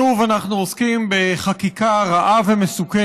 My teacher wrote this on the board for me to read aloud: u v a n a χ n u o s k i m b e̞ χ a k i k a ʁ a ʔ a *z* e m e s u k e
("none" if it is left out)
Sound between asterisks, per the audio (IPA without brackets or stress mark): v